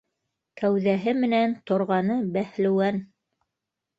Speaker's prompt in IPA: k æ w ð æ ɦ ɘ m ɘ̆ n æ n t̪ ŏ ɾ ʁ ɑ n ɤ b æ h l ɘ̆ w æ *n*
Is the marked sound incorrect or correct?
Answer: correct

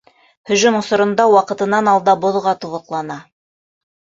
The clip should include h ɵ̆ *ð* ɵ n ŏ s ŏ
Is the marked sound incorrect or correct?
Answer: incorrect: ʒ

